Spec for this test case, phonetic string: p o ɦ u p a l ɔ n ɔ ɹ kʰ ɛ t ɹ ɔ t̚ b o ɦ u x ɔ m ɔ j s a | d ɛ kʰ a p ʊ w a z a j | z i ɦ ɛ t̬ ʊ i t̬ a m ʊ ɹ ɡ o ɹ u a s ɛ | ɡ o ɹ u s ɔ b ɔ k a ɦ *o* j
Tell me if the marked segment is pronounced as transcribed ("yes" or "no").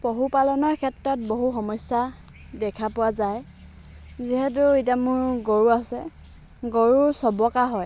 no